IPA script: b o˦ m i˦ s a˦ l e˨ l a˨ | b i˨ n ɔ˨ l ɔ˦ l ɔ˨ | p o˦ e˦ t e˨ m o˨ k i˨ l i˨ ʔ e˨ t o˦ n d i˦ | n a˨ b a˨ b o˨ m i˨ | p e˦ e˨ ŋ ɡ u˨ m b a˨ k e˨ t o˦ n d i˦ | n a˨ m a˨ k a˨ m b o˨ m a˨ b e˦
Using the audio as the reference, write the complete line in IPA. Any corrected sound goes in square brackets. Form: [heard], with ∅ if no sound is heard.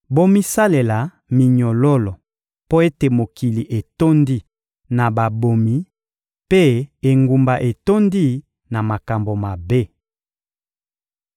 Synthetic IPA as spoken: b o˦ m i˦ s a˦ l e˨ l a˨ | [m] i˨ [ɲ] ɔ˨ l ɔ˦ l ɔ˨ | p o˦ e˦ t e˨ m o˨ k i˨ l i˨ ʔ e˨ t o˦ n d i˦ | n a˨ b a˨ b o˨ m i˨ | p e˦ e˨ ŋ ɡ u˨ m b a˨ [ʔ] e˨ t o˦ n d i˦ | n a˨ m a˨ k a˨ m b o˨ m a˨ b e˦